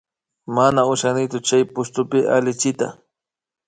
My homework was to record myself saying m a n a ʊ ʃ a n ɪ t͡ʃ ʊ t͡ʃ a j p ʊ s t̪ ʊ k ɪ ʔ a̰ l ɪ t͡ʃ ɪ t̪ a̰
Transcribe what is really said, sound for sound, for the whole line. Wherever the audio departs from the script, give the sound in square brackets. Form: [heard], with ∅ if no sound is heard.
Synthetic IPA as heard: m a n a ʊ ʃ a n ɪ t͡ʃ ʊ t͡ʃ a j p ʊ s t̪ ʊ [p] ɪ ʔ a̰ l ɪ t͡ʃ ɪ t̪ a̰